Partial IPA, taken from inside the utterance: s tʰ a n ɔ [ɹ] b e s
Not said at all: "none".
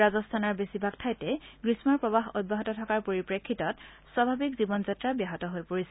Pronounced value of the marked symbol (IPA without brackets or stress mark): ɹ